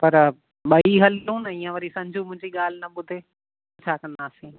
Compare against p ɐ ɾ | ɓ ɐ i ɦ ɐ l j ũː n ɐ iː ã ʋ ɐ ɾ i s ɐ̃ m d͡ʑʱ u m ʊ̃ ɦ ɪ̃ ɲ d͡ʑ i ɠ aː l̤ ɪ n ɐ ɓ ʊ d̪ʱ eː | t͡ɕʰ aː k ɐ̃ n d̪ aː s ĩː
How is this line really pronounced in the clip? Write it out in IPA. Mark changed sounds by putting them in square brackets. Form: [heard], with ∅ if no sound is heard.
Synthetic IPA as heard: p ɐ ɾ | ɓ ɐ i ɦ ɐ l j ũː n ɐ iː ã ʋ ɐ ɾ i s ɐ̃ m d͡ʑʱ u m ʊ̃ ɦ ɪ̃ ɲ d͡ʑ i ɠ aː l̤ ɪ n ɐ ɓ ʊ d̪ʱ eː | t͡ɕʰ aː k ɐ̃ n d̪ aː s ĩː